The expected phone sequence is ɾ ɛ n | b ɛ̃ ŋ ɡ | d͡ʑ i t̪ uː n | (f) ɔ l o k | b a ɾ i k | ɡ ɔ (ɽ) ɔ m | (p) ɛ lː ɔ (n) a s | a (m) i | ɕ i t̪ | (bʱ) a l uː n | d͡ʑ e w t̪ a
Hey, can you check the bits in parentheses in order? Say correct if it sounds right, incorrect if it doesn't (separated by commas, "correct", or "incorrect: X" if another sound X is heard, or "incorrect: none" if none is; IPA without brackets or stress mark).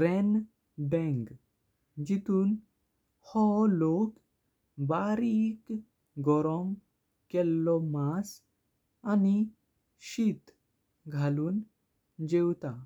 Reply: incorrect: h, incorrect: ɾ, incorrect: k, incorrect: m, incorrect: n, incorrect: ɡʱ